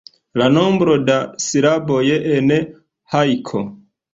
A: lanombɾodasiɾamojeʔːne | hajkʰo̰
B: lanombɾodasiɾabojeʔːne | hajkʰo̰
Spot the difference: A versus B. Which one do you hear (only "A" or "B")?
B